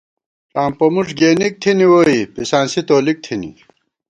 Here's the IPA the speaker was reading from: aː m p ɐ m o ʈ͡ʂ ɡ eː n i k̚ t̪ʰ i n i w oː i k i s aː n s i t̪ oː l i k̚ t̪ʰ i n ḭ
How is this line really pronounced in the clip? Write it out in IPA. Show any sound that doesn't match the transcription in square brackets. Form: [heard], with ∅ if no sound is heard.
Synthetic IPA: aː m p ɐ m [u] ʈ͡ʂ ɡ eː n i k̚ t̪ʰ i n i w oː i [p] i s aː n s i t̪ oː l i k̚ t̪ʰ i n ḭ